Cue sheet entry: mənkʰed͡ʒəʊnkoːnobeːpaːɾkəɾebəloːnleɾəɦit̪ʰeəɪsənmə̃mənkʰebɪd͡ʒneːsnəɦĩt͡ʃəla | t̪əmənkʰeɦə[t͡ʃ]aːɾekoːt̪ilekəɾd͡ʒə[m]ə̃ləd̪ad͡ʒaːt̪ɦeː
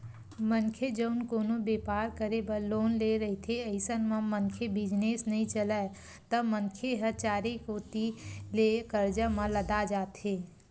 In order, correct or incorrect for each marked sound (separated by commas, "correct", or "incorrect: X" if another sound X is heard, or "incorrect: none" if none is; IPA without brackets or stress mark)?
correct, correct